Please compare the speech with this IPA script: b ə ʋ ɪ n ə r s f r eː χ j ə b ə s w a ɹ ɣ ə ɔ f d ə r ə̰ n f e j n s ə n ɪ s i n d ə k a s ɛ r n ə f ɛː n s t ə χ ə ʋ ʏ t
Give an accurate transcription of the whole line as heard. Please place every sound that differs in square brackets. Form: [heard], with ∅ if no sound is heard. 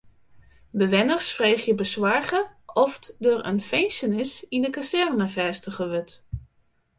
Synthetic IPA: b ə ʋ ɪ n ə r s f r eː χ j ə b ə s w a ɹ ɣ ə ɔ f d ə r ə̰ n f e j n s ə n ɪ s i n d ə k a s ɛ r n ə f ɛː [∅] s t ə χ ə ʋ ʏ t